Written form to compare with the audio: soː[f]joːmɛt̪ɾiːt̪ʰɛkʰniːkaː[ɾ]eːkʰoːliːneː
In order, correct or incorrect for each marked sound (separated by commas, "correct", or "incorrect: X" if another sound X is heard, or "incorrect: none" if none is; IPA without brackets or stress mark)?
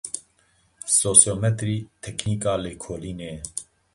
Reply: incorrect: s, incorrect: l